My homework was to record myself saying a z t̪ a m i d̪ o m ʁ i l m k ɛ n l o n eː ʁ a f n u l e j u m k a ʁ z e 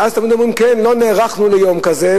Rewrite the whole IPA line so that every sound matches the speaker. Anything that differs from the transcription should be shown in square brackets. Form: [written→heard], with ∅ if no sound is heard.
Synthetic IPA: a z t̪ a m i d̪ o m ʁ i [l→∅] m k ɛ n l o n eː ʁ a [f→χ] n u l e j [u→o] m k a [ʁ→∅] z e

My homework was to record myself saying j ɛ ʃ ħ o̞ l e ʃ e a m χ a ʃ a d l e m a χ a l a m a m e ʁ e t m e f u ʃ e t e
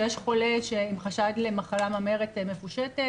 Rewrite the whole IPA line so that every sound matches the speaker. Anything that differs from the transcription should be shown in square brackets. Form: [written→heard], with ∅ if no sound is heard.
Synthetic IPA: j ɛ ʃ [ħ→χ] o̞ l e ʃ e [a→i] m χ a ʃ a d l e m a χ a l a m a m e ʁ e t m e f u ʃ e t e

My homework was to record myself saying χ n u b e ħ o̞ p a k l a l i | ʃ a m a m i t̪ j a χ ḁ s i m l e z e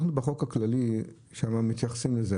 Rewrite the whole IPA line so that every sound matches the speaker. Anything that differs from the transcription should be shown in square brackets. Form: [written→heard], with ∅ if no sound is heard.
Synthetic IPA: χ n u b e [ħ→χ] o̞ [p→k] a k l a l i | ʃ a m a m i t̪ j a χ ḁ s i m l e z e

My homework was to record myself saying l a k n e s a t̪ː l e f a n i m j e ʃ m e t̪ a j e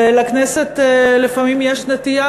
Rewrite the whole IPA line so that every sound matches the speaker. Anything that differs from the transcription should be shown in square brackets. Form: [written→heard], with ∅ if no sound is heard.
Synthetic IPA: l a k n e s [a→e] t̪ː l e f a [n→m] i m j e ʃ [m→n] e t̪ [a→i] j [e→a]

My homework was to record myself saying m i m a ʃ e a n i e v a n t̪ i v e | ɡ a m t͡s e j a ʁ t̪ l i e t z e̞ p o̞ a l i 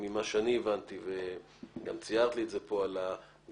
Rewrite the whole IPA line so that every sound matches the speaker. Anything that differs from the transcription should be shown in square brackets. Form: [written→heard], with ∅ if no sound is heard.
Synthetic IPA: m i m a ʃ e a n i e v a n t̪ i v e | ɡ a m t͡s [e→i] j a ʁ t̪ l i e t z e̞ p o̞ a l [i→a]

